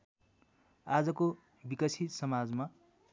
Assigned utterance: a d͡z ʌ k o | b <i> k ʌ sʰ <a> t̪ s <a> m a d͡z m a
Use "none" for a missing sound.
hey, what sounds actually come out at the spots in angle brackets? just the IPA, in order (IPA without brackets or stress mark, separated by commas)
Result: i, i, ʌ